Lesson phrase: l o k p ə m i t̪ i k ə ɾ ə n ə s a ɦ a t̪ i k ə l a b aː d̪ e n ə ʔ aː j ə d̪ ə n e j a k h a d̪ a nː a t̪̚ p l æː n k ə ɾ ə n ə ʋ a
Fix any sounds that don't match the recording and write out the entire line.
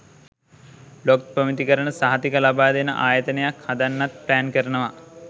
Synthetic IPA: l o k p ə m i t̪ i k ə ɾ ə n ə s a ɦ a t̪ i k ə l a b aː d̪ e n ə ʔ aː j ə t̪ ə n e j a k h a d̪ a nː a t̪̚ p l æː n k ə ɾ ə n ə ʋ a